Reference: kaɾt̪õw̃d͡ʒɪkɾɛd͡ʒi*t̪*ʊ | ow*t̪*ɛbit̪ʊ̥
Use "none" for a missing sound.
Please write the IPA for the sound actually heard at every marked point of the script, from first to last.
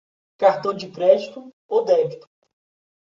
t̪, d̪

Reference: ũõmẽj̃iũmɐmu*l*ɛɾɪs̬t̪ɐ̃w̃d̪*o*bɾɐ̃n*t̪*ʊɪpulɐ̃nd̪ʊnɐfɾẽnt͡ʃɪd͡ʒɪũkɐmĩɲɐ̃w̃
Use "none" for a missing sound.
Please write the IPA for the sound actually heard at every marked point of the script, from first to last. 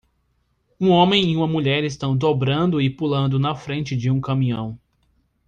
ʎ, o, d̪

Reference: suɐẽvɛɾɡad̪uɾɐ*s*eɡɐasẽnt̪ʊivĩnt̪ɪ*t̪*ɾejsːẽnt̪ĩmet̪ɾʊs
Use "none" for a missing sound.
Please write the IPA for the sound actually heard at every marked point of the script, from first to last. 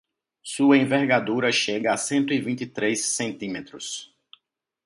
ʃ, t̪

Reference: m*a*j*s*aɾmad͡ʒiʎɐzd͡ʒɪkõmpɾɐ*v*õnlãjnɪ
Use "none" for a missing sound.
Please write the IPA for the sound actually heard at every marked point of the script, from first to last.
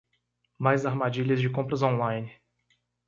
a, z, z

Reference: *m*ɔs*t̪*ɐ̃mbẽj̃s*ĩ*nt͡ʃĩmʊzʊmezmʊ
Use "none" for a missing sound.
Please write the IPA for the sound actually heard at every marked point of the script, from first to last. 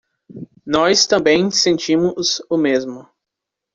n, t̪, ẽ

